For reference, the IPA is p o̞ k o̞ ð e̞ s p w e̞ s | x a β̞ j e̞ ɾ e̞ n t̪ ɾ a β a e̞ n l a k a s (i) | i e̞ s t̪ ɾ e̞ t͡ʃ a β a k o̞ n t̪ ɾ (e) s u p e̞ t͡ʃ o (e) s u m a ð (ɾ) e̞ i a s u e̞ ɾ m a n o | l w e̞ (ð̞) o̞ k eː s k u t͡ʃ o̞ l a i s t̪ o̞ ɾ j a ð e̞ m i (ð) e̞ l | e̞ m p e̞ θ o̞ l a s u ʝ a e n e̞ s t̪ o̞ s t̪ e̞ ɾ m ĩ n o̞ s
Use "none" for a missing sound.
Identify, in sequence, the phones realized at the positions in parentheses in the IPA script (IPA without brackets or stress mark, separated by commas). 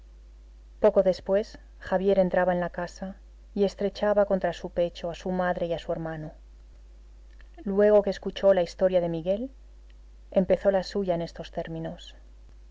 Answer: a, a, a, ɾ, ɣ̞, ɣ